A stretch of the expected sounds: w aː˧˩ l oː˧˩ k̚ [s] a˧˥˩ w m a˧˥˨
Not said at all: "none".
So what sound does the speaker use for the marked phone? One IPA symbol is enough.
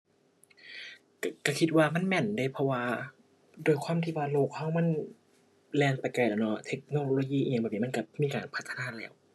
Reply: h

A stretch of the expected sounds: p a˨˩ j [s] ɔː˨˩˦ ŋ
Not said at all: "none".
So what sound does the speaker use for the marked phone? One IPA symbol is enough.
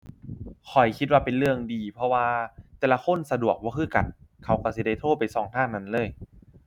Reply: s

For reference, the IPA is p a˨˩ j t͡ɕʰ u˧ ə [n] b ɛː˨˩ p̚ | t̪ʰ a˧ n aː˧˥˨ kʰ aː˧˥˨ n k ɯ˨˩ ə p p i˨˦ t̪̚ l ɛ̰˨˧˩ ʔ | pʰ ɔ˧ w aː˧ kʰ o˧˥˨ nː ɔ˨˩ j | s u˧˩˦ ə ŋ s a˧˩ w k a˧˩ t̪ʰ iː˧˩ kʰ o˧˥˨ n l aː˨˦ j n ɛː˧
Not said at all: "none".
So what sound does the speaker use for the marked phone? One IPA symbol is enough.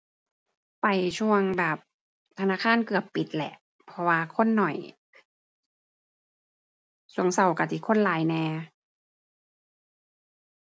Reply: ŋ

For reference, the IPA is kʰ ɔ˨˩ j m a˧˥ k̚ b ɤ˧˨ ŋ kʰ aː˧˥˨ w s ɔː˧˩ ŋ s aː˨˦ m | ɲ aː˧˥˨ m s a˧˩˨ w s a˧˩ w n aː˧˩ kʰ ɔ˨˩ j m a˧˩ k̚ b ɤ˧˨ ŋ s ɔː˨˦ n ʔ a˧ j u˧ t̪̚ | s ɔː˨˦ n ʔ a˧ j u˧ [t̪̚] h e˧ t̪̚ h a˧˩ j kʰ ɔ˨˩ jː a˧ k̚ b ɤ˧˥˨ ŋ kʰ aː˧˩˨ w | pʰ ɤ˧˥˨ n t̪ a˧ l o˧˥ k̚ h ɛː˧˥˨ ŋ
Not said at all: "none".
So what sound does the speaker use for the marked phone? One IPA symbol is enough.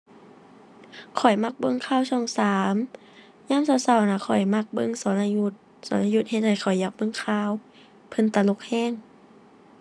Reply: t̪̚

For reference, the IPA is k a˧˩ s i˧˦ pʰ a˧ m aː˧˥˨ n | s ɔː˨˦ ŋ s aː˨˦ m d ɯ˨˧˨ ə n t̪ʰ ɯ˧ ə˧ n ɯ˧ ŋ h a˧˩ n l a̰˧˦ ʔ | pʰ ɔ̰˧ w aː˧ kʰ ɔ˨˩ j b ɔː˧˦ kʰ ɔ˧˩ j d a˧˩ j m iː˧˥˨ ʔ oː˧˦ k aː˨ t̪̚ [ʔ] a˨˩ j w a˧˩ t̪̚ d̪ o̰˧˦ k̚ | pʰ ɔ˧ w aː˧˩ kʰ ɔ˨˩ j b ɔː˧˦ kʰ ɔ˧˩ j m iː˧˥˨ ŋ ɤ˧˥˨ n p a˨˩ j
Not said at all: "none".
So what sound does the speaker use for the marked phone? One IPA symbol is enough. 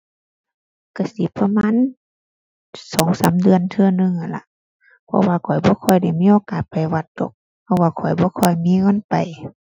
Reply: p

